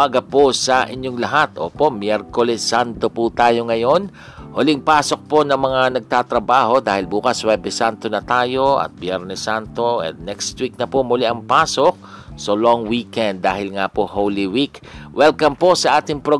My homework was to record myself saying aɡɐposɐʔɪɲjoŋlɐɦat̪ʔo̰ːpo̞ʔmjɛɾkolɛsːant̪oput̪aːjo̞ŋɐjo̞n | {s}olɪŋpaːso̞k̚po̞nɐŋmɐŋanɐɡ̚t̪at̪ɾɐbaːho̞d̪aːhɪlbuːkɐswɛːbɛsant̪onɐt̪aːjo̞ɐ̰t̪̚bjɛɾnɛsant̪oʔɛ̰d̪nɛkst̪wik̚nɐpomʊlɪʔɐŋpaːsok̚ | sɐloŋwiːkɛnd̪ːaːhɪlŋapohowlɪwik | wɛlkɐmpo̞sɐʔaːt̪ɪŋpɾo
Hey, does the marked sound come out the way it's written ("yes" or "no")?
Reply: no